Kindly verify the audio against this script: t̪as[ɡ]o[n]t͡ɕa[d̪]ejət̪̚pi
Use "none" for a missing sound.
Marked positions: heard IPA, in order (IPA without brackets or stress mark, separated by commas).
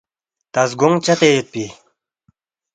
ɡ, ŋ, t̪